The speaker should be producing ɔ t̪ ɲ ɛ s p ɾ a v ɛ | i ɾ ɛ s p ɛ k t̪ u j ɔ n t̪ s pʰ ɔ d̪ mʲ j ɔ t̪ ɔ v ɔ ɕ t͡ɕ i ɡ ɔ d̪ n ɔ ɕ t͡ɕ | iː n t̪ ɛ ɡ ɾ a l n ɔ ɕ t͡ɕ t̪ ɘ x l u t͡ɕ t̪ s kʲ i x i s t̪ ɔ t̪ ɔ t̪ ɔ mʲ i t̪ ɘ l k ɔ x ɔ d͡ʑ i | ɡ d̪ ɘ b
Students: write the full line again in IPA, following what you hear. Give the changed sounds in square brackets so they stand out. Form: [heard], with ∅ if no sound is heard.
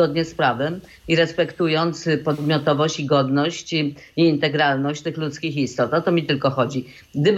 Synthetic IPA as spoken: ɔ [d̪] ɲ ɛ s p ɾ a v ɛ | i ɾ ɛ s p ɛ k t̪ u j ɔ n t̪ s [p] ɔ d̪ mʲ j ɔ t̪ ɔ v ɔ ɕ t͡ɕ i ɡ ɔ d̪ n ɔ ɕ t͡ɕ | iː n t̪ ɛ ɡ ɾ a l n ɔ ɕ t͡ɕ t̪ ɘ x l u [∅] t̪ s kʲ i x i s t̪ ɔ t̪ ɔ t̪ ɔ mʲ i t̪ ɘ l k ɔ x ɔ d͡ʑ i | ɡ d̪ ɘ b